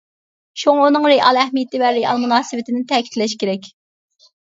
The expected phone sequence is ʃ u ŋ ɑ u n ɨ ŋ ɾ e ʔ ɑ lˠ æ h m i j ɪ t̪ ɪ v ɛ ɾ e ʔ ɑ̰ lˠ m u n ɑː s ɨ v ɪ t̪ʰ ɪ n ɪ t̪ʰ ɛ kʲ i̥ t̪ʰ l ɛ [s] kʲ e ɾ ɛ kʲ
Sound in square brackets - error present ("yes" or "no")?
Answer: yes